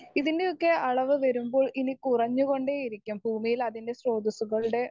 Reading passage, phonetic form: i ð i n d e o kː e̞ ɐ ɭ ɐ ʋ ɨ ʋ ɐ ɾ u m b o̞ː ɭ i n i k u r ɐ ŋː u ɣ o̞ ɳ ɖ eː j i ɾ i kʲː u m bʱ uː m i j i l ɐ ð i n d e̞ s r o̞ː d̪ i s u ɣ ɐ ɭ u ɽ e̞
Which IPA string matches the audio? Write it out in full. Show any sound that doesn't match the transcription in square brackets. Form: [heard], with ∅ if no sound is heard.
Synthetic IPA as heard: i ð i n d e o kː e̞ ɐ ɭ ɐ ʋ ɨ ʋ ɐ ɾ u m b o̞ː ɭ i n i k u r ɐ [ɲː] u ɣ o̞ ɳ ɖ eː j i ɾ i kʲː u m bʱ uː m i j i l ɐ ð i n d e̞ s r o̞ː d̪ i s u ɣ ɐ ɭ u ɽ e̞